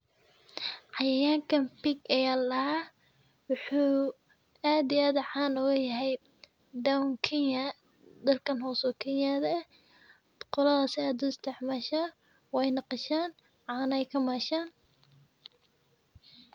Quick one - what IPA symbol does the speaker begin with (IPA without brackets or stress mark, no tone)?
ʕ